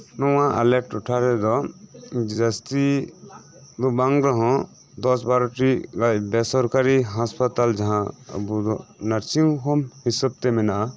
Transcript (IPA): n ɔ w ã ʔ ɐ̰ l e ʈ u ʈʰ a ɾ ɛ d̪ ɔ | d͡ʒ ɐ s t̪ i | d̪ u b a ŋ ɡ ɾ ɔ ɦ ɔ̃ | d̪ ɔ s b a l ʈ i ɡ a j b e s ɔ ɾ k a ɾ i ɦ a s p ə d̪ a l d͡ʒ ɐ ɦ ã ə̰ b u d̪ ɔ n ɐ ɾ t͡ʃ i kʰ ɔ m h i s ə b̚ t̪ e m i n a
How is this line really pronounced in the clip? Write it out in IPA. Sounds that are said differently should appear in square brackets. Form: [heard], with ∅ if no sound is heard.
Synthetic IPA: n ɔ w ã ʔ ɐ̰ l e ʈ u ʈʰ a ɾ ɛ d̪ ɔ | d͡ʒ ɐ s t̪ i | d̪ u b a ŋ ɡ ɾ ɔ ɦ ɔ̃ | d̪ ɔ s b a [ɾ] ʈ i ɡ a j b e s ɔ ɾ k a ɾ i ɦ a s p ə [t̪] a l d͡ʒ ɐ ɦ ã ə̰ b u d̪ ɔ n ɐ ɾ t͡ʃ i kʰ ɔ m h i s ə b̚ t̪ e m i n a